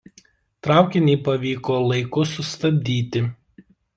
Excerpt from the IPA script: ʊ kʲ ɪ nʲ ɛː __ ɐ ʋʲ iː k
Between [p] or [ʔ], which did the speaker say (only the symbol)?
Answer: p